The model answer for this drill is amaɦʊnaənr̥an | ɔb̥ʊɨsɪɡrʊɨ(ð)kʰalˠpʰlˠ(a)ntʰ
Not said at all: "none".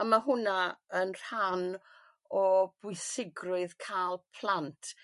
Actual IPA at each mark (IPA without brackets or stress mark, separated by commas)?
ð, a